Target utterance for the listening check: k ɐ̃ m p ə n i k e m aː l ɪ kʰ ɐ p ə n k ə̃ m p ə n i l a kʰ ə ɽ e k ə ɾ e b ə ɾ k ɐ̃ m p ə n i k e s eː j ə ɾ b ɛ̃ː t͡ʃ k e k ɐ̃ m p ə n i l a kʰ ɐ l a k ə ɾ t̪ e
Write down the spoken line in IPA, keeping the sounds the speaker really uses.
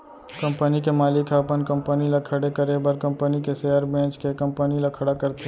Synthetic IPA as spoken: k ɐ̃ m p ə n i k e m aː l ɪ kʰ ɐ p ə n k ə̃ m p ə n i l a kʰ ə ɽ e k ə ɾ e b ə ɾ k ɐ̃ m p ə n i k e s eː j ə ɾ b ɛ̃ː t͡ʃ k e k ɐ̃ m p ə n i l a kʰ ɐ ɽ a k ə ɾ t̪ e